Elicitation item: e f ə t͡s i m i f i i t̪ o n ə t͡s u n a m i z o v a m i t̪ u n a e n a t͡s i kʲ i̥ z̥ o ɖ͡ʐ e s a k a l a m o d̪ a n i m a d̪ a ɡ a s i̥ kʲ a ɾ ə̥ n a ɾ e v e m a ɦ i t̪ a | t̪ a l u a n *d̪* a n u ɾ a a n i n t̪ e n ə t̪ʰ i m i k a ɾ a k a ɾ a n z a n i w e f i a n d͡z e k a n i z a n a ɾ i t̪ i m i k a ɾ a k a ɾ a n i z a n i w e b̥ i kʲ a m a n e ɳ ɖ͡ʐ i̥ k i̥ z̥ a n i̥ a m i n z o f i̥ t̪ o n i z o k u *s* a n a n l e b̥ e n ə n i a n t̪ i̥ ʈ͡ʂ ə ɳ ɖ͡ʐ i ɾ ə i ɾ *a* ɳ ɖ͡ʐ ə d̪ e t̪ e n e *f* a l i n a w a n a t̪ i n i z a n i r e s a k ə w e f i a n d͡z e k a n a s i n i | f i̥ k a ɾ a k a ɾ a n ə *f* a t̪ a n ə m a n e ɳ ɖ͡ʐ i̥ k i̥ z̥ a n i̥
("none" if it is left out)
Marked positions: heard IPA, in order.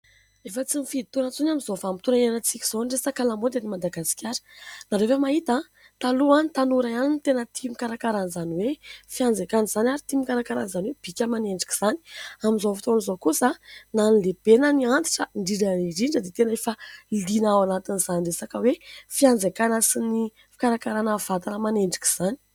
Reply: t̪, s, i, f, v

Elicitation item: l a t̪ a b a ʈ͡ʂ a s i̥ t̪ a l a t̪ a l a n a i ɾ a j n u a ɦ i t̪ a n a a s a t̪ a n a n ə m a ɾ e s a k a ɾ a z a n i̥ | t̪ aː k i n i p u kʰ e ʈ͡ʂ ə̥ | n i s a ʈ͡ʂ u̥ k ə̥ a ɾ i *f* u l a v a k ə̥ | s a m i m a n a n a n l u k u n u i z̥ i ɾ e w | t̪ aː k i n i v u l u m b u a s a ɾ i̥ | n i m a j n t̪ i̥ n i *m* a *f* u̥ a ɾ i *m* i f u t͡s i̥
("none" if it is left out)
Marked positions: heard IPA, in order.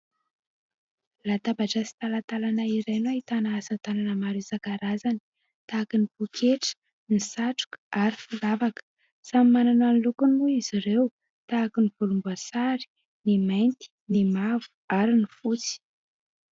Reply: f, m, v, n

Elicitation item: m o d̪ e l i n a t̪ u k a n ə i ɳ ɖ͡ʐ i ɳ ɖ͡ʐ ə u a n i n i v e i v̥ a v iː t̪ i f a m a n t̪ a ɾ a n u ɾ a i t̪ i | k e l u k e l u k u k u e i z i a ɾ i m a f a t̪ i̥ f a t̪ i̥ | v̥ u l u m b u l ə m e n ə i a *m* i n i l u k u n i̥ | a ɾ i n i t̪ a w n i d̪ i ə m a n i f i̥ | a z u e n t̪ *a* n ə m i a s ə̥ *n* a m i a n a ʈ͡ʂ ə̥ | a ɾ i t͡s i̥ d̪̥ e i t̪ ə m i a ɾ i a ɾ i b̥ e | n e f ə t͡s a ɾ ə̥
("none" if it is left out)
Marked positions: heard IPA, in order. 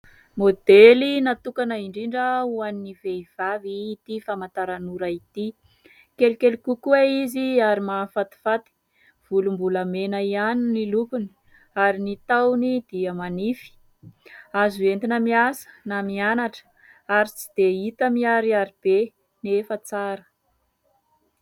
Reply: n, i, n

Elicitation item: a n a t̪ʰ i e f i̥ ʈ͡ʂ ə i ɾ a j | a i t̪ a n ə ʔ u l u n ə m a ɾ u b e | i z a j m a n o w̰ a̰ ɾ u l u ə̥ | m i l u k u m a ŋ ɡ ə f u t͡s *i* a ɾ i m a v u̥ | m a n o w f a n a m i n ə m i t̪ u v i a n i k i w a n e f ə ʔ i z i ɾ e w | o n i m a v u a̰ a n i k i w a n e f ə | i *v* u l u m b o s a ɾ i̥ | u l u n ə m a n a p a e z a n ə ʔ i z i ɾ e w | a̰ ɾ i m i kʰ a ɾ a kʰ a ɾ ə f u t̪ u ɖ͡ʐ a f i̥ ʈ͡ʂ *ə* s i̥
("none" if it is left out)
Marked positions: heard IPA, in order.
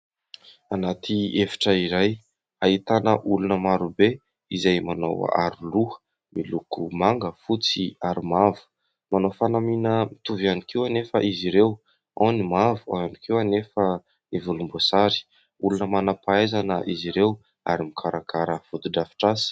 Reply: i, v, a

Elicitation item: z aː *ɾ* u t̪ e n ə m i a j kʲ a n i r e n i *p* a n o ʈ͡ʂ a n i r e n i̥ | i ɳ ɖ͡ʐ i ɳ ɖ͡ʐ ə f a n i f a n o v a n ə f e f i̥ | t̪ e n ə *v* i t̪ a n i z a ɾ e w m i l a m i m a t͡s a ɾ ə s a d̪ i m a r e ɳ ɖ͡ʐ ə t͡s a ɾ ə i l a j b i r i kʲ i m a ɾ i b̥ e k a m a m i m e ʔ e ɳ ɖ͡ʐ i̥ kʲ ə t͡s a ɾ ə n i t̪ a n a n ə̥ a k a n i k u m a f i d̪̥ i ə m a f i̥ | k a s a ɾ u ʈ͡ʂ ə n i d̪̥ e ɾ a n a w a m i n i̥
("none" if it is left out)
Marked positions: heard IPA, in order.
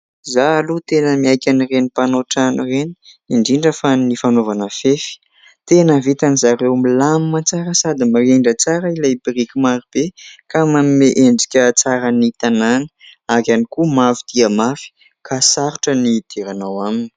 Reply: l, p, v

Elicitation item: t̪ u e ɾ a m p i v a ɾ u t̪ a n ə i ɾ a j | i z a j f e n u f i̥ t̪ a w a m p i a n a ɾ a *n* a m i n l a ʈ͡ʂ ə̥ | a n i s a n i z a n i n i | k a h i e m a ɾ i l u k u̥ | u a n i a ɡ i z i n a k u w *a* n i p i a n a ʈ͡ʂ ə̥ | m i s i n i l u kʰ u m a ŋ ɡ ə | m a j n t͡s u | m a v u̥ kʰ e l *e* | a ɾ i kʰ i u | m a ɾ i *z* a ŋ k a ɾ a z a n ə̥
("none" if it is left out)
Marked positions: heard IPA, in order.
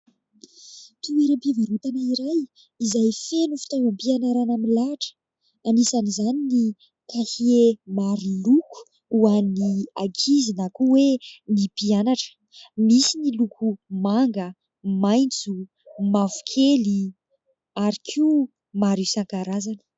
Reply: n, e, i, s

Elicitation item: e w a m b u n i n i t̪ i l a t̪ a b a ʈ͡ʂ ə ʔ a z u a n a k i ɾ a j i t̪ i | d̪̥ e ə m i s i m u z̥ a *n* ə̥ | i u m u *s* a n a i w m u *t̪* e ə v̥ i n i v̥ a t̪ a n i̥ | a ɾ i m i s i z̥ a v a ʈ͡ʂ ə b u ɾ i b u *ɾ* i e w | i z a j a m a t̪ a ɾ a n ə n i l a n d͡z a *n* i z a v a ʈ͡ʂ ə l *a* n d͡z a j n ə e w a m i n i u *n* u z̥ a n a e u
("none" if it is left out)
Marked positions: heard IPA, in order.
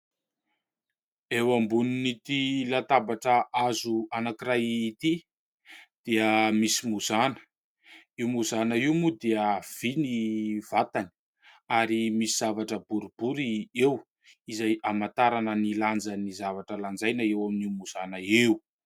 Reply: n, z, d̪, ɾ, n, a, m

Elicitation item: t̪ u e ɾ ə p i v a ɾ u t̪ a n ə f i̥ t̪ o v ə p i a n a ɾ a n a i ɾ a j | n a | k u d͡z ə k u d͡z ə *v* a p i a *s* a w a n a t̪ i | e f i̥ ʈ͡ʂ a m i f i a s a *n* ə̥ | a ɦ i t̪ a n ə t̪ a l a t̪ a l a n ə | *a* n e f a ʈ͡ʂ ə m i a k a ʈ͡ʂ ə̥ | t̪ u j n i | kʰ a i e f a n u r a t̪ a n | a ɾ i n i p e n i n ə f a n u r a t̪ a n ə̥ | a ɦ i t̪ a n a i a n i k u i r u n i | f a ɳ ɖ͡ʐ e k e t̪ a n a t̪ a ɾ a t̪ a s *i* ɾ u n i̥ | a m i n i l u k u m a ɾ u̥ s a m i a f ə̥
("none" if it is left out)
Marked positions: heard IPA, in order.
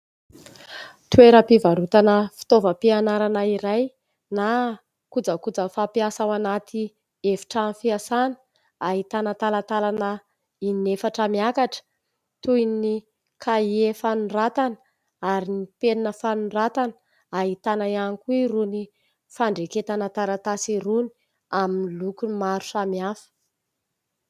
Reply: f, s, n, i, i

